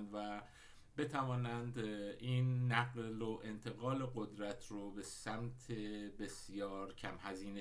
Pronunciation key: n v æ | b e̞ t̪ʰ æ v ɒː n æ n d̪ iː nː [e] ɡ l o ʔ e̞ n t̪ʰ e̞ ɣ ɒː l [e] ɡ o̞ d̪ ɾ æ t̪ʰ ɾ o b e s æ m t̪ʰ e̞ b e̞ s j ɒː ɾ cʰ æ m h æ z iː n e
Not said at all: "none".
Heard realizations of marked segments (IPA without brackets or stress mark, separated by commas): æ, e